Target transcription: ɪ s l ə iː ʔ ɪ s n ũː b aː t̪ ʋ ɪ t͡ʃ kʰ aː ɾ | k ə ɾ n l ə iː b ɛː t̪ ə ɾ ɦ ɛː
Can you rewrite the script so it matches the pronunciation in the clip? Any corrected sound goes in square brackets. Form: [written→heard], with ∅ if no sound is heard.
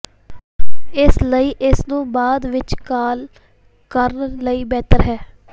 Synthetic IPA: ɪ s l ə iː ʔ ɪ s n ũː b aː [t̪→d̪] ʋ ɪ t͡ʃ [kʰ→k] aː [ɾ→l] | k ə ɾ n l ə iː b ɛː t̪ ə ɾ ɦ ɛː